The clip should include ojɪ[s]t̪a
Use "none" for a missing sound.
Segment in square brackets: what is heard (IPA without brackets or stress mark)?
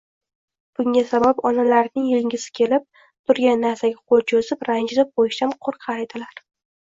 ʃ